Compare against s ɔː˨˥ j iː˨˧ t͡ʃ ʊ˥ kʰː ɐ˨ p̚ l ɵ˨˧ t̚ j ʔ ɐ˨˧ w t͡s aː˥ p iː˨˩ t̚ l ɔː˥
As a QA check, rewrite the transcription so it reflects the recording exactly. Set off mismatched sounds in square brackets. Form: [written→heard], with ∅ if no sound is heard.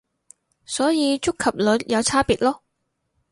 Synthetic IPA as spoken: s ɔː˨˥ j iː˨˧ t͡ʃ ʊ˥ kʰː ɐ˨ p̚ l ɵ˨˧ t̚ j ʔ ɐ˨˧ w [t͡s→t͡sʰ] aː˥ p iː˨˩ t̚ l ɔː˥